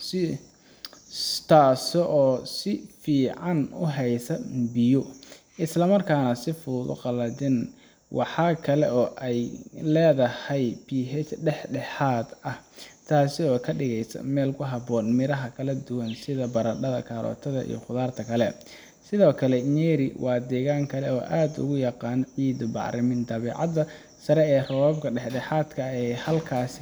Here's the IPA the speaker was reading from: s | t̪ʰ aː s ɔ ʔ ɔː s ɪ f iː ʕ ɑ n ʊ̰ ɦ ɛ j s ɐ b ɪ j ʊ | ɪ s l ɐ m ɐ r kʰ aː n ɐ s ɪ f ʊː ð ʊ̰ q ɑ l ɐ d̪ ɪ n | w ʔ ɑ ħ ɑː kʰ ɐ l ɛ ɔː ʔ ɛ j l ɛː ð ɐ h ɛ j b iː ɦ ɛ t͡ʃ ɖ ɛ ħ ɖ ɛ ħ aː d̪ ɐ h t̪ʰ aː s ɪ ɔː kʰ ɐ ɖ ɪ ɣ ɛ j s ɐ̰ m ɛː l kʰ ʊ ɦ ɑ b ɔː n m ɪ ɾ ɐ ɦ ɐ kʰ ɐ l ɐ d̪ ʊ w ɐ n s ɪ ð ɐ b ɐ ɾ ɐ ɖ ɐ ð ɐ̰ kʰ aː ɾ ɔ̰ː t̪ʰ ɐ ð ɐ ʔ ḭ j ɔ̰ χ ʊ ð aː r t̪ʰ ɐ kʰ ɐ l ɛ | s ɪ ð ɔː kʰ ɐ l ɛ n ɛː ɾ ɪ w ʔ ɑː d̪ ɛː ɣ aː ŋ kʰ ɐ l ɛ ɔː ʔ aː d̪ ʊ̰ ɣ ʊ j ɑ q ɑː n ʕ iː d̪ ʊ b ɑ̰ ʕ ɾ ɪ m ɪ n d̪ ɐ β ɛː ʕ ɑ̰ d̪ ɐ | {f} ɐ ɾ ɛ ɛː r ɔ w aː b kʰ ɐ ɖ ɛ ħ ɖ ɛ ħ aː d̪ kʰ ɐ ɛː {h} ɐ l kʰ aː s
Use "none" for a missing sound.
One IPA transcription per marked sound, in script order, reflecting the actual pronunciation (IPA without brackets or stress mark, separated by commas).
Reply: s, h